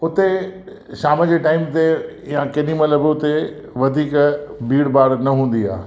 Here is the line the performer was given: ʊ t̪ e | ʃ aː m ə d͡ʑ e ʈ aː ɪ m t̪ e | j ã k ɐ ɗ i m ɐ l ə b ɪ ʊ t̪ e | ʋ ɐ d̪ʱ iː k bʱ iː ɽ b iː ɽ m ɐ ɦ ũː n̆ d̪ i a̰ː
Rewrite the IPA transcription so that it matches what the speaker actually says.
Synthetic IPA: ʊ t̪ e | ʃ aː m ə d͡ʑ e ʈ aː ɪ m t̪ e | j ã k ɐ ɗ i m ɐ l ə b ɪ ʊ t̪ e | ʋ ɐ d̪ʱ iː k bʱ iː ɽ b aː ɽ n ɐ ɦ ũː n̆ d̪ i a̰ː